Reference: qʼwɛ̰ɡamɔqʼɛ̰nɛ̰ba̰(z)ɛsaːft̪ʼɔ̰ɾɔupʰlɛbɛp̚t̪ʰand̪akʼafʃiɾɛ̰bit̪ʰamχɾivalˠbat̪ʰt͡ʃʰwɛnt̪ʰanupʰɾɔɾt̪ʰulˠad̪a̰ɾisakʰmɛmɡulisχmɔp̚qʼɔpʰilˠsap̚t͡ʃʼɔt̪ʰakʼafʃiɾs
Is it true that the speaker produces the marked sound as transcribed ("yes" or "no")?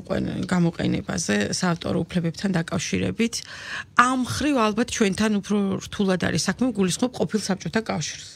yes